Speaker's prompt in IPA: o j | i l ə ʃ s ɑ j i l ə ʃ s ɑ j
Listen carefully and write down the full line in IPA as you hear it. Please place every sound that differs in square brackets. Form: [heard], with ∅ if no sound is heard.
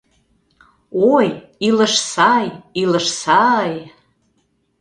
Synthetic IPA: o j | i l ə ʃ s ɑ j i l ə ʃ s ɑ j